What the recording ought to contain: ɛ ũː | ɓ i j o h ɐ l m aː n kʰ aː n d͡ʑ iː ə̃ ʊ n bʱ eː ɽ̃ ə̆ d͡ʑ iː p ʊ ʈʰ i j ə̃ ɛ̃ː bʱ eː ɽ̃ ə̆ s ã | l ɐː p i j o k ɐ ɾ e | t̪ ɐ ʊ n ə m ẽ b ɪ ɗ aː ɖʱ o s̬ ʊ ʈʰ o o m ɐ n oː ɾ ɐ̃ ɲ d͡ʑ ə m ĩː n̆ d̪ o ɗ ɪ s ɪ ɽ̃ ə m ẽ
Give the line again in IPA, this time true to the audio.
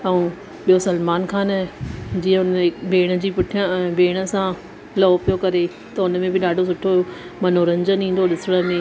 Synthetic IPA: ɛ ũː | ɓ i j o s ɐ l m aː n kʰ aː n d͡ʑ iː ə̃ ʊ n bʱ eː ɽ̃ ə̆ d͡ʑ iː p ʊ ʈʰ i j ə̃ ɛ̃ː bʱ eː ɽ̃ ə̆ s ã | l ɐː p i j o k ɐ ɾ e | t̪ ɐ ʊ n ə m ẽ b ɪ ɗ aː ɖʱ o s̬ ʊ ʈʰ o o m ɐ n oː ɾ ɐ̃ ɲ d͡ʑ ə n ĩː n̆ d̪ o ɗ ɪ s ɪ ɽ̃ ə m ẽ